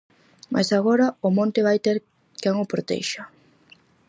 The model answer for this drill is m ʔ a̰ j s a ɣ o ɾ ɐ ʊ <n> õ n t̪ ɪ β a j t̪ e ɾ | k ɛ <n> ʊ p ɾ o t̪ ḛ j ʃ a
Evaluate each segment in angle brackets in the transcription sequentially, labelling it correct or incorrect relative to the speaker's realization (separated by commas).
incorrect, incorrect